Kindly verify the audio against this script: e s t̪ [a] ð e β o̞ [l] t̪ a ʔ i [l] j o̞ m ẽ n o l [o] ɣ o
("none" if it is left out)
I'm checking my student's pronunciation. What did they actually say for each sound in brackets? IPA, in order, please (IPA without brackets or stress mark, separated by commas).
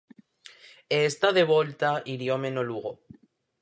a, l, ɾ, u